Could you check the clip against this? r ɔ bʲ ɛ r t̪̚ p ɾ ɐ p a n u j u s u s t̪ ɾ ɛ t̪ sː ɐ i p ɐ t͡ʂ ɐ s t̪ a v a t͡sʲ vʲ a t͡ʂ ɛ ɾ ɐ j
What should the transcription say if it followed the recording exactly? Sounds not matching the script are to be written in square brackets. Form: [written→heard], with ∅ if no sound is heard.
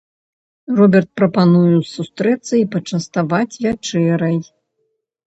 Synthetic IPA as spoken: r ɔ bʲ ɛ r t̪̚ p ɾ ɐ p a n u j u s u s t̪ ɾ ɛ t̪ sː ɐ i p ɐ t͡ʂ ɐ s t̪ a v a t͡sʲ vʲ a t͡ʂ ɛ ɾ ɐ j